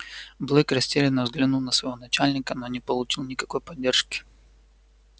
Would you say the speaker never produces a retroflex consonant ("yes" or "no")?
no